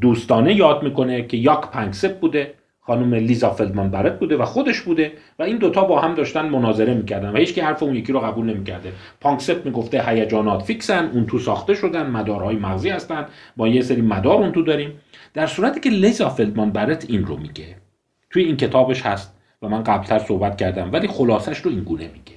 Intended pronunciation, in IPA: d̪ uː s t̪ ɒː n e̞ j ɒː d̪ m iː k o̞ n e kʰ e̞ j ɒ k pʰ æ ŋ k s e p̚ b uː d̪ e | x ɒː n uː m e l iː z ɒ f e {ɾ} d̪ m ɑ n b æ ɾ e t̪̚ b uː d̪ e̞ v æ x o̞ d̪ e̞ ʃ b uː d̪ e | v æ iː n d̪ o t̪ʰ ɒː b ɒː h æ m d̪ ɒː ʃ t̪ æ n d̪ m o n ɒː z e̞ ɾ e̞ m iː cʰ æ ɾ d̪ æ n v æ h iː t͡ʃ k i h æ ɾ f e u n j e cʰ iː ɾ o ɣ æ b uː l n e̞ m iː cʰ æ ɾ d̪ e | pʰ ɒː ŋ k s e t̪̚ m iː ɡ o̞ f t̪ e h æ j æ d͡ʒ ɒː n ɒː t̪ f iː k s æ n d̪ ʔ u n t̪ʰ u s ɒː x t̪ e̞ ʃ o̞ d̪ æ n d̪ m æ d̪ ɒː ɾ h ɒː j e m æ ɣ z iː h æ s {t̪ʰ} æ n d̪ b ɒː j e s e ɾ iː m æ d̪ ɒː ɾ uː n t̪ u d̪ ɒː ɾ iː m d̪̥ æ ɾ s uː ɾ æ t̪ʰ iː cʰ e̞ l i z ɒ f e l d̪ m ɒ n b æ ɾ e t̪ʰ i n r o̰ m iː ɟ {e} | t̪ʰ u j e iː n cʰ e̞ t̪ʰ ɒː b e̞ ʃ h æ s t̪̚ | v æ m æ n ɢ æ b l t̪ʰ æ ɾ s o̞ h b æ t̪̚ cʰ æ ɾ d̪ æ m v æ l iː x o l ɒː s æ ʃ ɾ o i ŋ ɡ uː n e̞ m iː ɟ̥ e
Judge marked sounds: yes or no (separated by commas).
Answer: no, no, yes